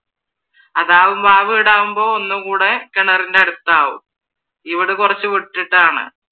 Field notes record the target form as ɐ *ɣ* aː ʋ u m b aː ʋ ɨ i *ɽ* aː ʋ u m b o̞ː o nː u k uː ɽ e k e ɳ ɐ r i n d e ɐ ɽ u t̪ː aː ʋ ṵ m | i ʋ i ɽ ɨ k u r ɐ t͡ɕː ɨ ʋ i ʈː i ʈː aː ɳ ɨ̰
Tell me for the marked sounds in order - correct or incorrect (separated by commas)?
incorrect, correct